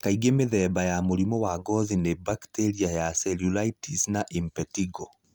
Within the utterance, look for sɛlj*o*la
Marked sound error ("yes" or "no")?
yes